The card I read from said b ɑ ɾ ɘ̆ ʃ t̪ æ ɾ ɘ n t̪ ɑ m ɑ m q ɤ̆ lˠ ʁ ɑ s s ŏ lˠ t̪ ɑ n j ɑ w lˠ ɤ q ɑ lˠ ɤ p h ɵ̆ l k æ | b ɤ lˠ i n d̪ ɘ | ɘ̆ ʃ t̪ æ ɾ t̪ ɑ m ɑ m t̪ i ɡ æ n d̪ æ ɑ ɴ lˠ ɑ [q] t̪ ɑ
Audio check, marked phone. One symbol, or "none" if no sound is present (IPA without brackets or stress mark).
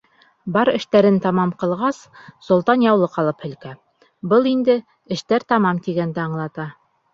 none